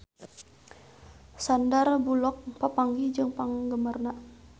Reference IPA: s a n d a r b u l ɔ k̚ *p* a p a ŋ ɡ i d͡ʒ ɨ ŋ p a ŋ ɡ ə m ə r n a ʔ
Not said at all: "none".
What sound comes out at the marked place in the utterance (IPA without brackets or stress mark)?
p